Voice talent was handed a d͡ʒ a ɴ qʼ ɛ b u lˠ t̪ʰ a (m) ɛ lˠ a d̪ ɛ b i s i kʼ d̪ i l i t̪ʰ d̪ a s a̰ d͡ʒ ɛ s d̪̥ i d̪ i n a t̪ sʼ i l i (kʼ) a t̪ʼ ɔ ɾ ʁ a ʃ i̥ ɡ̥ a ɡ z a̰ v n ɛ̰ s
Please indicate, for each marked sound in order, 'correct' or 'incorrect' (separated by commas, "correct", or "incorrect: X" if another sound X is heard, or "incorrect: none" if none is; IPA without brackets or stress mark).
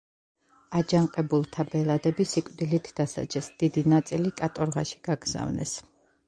incorrect: b, correct